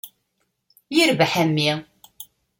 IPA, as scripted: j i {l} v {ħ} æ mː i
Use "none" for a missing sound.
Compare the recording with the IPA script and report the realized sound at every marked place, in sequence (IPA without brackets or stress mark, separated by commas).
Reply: ɾ, ħ